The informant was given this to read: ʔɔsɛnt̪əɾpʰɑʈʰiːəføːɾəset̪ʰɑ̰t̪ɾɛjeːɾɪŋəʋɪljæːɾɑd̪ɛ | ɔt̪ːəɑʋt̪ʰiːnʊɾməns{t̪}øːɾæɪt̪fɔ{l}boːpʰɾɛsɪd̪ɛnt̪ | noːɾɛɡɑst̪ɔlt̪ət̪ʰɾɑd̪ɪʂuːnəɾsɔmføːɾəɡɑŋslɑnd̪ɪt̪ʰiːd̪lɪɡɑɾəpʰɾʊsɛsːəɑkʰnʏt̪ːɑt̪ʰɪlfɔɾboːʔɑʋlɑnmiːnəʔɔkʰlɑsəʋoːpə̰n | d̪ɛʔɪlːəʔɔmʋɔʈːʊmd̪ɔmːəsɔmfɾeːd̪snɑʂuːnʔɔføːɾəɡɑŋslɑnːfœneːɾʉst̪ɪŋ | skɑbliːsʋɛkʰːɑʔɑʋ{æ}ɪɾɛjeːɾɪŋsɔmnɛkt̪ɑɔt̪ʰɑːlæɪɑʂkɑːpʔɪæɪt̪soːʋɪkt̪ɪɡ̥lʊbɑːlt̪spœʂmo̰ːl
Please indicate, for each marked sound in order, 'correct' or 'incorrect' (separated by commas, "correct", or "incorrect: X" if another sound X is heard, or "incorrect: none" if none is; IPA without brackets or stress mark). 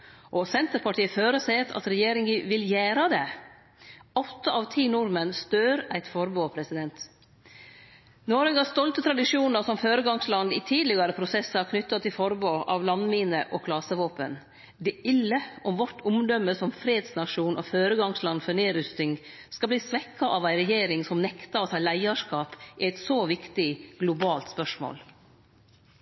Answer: correct, incorrect: ɾ, correct